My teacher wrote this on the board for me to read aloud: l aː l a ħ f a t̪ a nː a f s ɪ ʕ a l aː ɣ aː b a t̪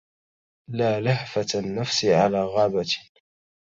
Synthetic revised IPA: l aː l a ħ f a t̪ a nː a f s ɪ ʕ a l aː ɣ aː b a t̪